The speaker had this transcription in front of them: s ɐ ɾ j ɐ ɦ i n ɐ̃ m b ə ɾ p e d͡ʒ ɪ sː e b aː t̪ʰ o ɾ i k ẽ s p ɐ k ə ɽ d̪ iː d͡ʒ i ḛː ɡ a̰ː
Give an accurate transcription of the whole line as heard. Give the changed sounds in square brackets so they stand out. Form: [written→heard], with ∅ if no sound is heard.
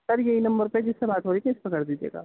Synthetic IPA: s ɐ ɾ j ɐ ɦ i n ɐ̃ m b ə ɾ p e d͡ʒ ɪ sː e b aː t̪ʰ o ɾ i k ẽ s p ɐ k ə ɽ d̪ iː d͡ʒ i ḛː ɡ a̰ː